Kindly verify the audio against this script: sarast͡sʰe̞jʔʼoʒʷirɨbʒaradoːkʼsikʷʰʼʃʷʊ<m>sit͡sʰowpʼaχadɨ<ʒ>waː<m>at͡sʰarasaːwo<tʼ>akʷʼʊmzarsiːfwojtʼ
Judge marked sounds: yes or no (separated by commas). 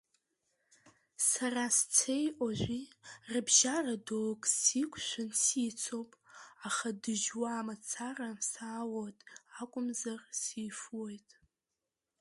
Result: no, yes, yes, yes